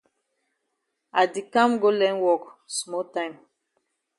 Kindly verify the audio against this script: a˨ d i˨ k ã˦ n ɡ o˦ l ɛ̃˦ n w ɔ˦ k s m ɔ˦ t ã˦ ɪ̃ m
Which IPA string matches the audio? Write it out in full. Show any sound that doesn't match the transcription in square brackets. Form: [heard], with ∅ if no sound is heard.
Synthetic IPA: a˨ d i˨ k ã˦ [m] ɡ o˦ l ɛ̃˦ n w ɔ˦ k s m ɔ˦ t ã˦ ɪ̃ m